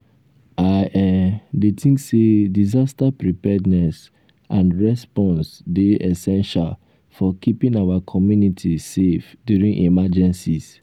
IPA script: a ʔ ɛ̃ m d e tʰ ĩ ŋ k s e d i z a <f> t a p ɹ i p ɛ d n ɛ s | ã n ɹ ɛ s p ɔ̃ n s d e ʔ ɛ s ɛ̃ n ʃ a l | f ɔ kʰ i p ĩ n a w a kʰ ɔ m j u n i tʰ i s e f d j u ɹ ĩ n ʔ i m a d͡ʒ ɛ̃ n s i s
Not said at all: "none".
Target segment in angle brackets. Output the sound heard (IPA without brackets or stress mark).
s